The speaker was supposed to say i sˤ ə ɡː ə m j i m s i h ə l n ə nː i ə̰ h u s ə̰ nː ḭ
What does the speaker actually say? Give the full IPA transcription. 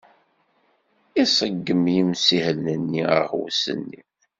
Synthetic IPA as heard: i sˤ ə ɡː ə m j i m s i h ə l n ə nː i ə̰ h w s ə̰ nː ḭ